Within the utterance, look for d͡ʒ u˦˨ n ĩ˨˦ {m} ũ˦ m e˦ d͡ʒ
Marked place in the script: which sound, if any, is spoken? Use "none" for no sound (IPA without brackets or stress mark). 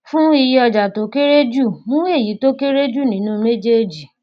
n